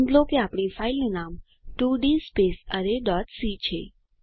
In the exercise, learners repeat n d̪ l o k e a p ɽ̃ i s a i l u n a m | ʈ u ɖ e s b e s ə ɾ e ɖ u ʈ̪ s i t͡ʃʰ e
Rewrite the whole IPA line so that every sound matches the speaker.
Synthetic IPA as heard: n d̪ l o k e a p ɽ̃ i f a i l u n a m | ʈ u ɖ i s p e s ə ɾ e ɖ ɔ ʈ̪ s i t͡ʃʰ e

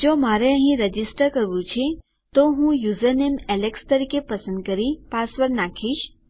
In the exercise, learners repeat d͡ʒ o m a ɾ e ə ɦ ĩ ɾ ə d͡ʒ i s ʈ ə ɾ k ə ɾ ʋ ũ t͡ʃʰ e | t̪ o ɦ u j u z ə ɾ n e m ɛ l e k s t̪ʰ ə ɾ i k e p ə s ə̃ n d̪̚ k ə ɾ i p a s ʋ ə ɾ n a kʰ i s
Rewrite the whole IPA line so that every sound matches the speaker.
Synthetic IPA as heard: d͡ʒ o m a ɾ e ə ɦ ĩ ɾ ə d͡ʒ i s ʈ ə ɾ k ə ɾ ʋ ũ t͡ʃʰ e | t̪ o ɦ ũ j u z ə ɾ n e m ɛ l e k s t̪ ə ɾ i k e p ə s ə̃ n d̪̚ k ə ɾ i p a s ʋ ə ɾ n a kʰ i ʃ

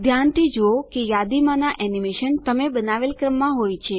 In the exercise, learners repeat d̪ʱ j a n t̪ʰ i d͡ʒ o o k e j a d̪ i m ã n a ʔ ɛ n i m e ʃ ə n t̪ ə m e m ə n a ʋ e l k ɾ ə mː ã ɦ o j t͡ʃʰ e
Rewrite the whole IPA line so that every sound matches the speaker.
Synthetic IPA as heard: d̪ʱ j a n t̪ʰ i d͡ʒ o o k e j a d̪ i m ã n a ʔ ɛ n i m e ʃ ə n t̪ ə m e b ə n a ʋ e l k ɾ ə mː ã ɦ o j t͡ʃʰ e

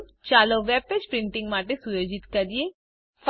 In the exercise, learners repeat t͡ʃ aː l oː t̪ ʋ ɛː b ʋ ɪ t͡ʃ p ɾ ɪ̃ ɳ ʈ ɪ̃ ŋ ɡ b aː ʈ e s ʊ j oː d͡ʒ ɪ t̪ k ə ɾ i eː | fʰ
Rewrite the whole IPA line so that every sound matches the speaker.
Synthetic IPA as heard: t͡ʃ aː l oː ʋ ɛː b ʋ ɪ t͡ʃ p ɾ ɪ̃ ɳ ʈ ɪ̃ ŋ ɡ m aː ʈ e s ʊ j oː d͡ʒ ɪ t̪ k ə ɾ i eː | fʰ

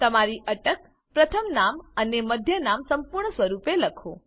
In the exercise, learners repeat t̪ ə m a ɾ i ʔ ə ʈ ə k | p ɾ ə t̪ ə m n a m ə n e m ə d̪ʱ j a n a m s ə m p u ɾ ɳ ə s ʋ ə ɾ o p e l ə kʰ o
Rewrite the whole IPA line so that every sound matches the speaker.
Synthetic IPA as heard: t̪ ə m a ɾ i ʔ ə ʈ ə k | p ɾ ə t̪ʰ ə m n a m ə n e m ə d̪ʱ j ə n a m s ə m p u ɾ ɳ ə s ʋ ə ɾ u p e l ə kʰ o

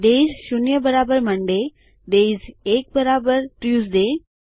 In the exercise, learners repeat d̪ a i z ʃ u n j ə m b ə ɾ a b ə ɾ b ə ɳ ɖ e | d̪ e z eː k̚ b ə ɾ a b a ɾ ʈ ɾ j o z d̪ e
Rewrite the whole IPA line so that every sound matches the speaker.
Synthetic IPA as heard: d̪ e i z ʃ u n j ə b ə ɾ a b ə ɾ m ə ɳ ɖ e | d̪ e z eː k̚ b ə ɾ a b ə ɾ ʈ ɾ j u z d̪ e

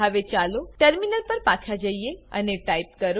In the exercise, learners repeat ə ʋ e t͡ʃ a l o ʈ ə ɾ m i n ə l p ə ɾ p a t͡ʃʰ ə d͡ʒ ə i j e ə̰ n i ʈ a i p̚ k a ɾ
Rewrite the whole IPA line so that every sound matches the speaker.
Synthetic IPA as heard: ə ʋ e t͡ʃ a l o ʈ ə ɾ m i n ə l p ə ɾ p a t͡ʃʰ a d͡ʒ ə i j e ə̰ n e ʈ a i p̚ k ə ɾ

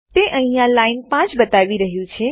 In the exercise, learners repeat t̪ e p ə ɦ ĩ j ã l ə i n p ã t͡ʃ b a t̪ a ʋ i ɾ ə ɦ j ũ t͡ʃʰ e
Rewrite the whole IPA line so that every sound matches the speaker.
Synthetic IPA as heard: t̪ e ʔ ə ɦ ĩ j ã l a i n p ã t͡ʃ b ə t̪ a ʋ i ɾ ə ɦ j ũ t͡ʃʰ e

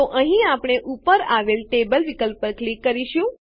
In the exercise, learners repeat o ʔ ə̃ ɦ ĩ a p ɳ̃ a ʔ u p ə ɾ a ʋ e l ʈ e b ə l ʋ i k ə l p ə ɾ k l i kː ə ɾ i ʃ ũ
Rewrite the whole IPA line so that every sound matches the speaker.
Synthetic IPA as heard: o ʔ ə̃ ɦ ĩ a p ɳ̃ e ʔ u p ə ɾ a ʋ e l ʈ e b ə l ʋ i k ə l p ə ɾ k l i kː ə ɾ i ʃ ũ

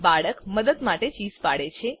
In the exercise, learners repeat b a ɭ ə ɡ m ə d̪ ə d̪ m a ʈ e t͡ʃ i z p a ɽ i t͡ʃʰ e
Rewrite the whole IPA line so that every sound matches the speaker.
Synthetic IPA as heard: b a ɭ ə k m ə d̪ ə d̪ m a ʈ e t͡ʃ i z p a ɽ e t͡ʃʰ e

